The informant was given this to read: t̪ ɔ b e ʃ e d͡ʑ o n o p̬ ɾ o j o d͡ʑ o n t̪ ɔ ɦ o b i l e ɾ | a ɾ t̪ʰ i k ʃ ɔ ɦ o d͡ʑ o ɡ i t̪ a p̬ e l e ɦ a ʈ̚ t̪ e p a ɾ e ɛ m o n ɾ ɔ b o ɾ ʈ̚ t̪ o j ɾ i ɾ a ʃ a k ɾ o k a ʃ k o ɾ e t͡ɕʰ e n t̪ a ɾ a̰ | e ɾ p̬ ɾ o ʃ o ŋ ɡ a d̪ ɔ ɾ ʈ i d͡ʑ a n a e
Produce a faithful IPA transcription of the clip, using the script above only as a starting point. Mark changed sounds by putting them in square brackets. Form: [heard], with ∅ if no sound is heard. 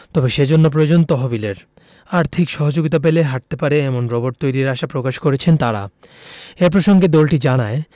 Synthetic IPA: t̪ ɔ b e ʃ e d͡ʑ o [nː] o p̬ ɾ o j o d͡ʑ o n t̪ ɔ ɦ o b i l e ɾ | a ɾ t̪ʰ i k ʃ ɔ ɦ o d͡ʑ o ɡ i t̪ a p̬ e l e ɦ a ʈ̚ t̪ e p a ɾ e ɛ m o n ɾ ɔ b o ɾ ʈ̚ t̪ o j ɾ i ɾ a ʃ a [p] ɾ o k a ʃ k o ɾ e t͡ɕʰ e n t̪ a ɾ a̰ | e ɾ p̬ ɾ o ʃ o ŋ ɡ [e] d̪ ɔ [l] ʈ i d͡ʑ a n a e